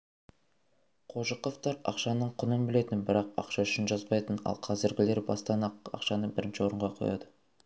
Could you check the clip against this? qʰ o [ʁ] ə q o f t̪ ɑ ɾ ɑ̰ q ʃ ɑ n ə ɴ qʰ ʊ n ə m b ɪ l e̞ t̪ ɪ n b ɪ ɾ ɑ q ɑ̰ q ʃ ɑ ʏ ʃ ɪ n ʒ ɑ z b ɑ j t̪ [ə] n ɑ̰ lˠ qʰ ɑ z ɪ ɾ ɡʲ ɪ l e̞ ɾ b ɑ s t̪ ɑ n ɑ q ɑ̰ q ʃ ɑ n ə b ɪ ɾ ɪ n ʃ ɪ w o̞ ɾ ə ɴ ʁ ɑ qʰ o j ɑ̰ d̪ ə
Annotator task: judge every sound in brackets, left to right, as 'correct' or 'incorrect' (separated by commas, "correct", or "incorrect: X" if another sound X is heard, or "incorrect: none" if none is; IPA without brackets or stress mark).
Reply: incorrect: ʒ, correct